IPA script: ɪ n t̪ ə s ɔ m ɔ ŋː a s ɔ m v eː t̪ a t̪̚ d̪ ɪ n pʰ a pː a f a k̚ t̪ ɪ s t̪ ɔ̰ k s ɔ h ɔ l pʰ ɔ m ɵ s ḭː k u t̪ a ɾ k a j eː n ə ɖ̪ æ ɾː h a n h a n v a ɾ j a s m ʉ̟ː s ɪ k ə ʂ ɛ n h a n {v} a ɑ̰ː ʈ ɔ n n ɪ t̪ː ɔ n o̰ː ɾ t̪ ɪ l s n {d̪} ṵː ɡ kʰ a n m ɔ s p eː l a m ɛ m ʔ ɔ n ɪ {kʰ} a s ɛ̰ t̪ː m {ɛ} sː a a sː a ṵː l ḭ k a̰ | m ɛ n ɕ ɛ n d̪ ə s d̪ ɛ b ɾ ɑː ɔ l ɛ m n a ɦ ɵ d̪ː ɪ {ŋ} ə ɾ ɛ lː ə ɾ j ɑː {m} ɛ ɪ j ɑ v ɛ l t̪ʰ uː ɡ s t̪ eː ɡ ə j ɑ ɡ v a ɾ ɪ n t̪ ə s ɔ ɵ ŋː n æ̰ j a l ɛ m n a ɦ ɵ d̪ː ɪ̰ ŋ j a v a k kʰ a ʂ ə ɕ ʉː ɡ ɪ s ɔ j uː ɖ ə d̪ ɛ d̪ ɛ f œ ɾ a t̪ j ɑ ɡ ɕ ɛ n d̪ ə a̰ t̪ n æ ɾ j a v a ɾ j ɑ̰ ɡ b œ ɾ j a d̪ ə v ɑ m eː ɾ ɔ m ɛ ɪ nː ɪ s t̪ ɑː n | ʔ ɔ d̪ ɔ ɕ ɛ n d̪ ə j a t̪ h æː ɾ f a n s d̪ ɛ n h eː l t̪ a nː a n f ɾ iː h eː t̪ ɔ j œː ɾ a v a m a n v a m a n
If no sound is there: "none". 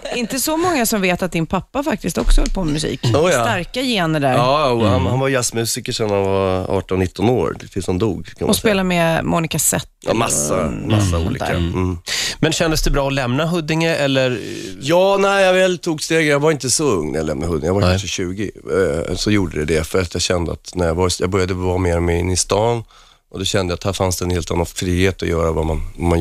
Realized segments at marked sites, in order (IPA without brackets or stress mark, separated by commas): v, d̪, k, a, ŋ, n